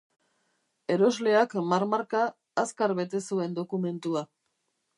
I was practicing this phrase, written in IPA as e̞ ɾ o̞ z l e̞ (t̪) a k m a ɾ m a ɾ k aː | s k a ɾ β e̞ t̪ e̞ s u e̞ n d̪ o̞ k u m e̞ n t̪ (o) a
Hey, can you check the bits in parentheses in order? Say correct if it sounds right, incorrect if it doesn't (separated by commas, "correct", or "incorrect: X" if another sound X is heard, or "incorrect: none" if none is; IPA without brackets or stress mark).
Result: incorrect: none, incorrect: u